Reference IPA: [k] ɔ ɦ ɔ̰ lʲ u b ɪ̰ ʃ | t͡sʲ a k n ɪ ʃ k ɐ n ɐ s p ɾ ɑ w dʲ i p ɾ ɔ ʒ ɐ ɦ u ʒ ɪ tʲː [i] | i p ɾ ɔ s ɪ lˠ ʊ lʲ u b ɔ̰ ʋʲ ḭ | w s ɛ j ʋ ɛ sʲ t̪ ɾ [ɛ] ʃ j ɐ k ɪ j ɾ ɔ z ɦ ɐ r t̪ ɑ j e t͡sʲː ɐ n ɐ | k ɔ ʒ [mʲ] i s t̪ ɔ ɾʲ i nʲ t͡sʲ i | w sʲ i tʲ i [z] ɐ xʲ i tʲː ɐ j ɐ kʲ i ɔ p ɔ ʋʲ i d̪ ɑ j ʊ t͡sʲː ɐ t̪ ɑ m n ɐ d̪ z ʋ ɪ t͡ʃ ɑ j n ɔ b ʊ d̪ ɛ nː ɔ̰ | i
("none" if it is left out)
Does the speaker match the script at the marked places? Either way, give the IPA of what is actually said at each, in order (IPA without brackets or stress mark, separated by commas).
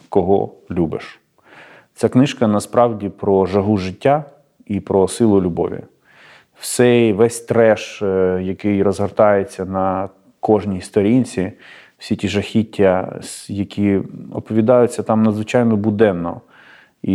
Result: k, a, ɛ, nʲ, ʒ